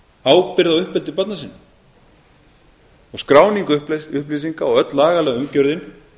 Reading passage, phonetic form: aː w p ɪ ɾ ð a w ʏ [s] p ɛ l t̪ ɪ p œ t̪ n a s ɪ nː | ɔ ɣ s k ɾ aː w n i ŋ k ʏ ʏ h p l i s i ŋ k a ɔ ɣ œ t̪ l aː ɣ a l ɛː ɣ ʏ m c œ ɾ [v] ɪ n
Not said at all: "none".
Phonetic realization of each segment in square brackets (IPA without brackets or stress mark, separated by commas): h, ð